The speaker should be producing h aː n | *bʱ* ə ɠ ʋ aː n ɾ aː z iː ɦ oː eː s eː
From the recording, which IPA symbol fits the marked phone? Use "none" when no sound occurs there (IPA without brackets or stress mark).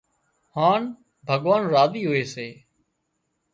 bʱ